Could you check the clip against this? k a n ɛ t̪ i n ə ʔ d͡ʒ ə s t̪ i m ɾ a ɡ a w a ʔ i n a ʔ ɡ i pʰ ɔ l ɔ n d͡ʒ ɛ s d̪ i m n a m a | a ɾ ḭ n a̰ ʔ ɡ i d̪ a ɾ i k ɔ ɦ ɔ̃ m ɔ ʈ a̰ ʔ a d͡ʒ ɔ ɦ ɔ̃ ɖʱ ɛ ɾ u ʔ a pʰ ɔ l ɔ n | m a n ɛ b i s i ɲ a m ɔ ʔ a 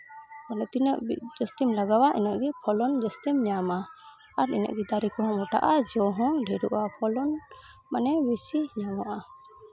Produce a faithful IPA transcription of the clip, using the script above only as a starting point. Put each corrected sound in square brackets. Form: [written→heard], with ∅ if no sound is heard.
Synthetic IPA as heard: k a n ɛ t̪ i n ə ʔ d͡ʒ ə s t̪ i m [ɾ→l] a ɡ a w a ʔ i n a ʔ ɡ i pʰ ɔ l ɔ n d͡ʒ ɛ s [d̪→t̪] i m [n→ɲ] a m a | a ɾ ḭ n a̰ ʔ ɡ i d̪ a ɾ i k ɔ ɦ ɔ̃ m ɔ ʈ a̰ ʔ a d͡ʒ ɔ ɦ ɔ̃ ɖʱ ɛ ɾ u ʔ a pʰ ɔ l ɔ n | m a n ɛ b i s i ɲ a m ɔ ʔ a